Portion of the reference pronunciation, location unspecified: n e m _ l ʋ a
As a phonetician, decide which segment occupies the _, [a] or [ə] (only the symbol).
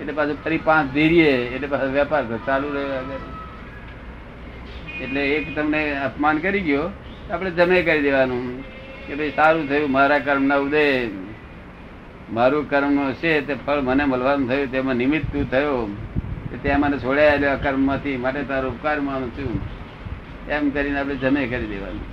ə